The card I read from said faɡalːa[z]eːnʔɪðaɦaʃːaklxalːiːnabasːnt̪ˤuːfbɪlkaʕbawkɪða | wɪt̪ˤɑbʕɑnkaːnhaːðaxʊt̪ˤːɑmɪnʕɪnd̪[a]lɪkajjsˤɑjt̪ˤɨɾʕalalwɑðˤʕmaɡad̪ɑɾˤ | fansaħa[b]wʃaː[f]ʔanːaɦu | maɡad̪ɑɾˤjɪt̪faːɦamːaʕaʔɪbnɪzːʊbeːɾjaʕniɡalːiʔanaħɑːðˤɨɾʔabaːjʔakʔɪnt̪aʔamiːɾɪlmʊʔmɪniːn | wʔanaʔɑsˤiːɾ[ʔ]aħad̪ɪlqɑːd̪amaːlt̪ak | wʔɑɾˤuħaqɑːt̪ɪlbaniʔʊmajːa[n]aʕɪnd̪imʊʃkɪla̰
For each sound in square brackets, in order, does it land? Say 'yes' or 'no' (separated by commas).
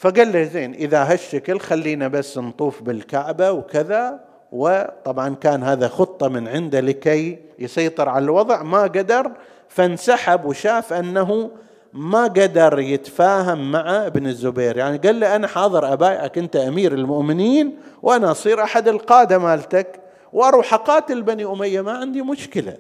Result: yes, yes, yes, yes, yes, no